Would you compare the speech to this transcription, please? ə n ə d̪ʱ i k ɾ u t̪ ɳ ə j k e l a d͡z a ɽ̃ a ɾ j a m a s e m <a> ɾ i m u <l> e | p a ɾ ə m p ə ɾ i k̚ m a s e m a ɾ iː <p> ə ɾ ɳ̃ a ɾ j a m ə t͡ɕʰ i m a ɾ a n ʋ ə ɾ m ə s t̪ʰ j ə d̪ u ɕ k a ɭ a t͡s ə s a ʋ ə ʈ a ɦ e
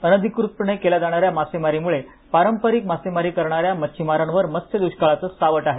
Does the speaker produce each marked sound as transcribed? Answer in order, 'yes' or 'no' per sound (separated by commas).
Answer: yes, no, no